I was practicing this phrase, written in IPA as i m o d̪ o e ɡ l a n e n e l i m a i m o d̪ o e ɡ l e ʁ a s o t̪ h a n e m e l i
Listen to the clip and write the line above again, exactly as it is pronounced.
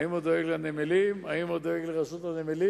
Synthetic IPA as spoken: i m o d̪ o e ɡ l a n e m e l i m a i m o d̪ o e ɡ l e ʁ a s o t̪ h a n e m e l i